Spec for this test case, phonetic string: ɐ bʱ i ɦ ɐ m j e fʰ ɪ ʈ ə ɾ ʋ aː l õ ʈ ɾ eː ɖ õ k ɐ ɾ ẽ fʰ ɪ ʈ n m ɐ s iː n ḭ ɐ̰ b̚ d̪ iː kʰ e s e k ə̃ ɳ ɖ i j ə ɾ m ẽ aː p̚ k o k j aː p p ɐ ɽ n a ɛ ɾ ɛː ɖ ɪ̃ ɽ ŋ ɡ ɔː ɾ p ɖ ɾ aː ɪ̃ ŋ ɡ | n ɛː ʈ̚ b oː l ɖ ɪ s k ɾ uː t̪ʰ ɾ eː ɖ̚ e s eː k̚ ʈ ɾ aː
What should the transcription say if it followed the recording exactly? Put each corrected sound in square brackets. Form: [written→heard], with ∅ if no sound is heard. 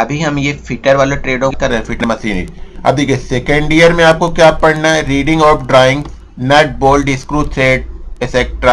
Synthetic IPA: ɐ bʱ i ɦ ɐ m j e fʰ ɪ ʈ ə ɾ ʋ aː l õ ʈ ɾ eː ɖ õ k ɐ ɾ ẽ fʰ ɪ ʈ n m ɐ s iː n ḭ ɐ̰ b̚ d̪ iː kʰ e s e k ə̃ ɳ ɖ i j ə ɾ m ẽ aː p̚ k o k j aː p p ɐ ɽ n a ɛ ɾ [ɛː→iː] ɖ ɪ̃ [ɽ→∅] ŋ ɡ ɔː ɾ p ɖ ɾ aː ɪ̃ ŋ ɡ | n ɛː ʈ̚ b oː l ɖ ɪ s k ɾ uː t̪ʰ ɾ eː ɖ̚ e s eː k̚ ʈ ɾ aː